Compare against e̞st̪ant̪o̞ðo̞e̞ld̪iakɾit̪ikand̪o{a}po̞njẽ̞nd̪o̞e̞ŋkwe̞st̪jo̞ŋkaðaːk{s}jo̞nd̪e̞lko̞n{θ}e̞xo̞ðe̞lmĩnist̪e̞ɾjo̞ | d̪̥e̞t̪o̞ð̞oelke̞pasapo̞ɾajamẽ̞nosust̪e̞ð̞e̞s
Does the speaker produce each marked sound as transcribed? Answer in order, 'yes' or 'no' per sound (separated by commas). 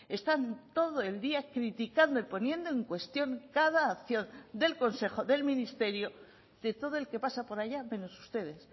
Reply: no, no, no